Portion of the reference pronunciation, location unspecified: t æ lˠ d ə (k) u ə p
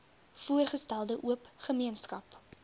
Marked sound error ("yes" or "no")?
yes